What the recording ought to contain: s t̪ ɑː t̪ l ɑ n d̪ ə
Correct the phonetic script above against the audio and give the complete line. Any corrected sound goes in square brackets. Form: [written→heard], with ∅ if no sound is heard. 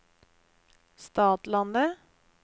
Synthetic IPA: s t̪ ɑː t̪ l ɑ n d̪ ə